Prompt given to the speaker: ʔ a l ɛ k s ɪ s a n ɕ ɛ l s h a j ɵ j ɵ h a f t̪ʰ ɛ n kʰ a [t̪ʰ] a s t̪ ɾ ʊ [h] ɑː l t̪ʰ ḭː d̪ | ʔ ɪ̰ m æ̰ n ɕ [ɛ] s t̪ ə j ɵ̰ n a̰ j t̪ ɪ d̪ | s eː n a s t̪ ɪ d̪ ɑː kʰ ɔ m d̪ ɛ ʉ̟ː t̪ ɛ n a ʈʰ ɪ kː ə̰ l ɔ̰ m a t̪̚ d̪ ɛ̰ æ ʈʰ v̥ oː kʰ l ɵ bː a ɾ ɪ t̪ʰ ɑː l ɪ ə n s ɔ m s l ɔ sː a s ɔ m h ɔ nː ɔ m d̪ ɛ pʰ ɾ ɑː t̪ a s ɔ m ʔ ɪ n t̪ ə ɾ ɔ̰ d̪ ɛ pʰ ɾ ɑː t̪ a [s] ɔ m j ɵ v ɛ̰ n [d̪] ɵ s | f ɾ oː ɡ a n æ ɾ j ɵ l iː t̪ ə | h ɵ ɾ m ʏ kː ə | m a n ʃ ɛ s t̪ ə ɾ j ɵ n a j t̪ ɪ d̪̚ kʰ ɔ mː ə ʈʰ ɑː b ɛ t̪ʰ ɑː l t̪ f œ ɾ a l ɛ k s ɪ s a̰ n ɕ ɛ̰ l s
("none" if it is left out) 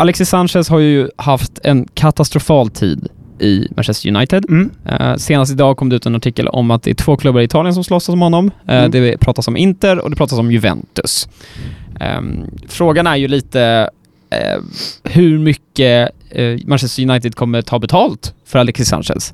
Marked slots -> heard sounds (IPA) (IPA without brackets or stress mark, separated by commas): t̪, f, ɛ, s, t̪